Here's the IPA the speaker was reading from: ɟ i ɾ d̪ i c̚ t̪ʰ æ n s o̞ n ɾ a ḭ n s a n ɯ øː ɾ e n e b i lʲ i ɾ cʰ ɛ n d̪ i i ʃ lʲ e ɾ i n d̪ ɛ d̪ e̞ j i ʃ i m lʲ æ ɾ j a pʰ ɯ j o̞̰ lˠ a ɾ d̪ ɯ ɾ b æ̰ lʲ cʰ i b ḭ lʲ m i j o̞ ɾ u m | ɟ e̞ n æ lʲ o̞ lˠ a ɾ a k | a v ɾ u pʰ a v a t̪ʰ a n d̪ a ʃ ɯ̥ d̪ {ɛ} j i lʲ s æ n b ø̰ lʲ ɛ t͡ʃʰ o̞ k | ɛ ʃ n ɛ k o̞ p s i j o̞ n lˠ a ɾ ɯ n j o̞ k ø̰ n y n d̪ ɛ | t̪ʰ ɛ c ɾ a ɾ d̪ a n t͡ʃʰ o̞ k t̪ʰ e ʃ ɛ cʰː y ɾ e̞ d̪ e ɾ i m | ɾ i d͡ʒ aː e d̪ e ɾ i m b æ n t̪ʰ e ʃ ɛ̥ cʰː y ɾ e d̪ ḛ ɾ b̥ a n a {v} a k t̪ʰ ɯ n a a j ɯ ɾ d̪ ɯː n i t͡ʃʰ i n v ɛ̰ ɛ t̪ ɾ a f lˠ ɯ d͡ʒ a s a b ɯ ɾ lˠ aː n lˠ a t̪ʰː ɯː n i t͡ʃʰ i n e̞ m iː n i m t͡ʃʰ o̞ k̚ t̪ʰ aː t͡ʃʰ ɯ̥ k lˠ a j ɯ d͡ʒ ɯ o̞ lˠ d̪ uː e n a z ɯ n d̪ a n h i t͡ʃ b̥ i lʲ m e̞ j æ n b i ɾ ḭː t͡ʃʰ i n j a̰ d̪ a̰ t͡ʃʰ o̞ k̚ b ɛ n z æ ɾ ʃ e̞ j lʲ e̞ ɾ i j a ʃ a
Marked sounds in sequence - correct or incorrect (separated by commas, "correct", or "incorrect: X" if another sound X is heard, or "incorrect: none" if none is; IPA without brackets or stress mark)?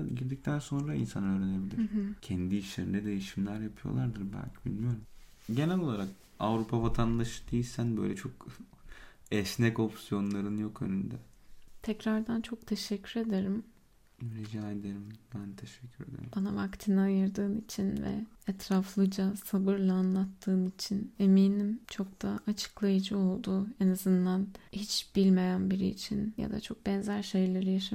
incorrect: e, correct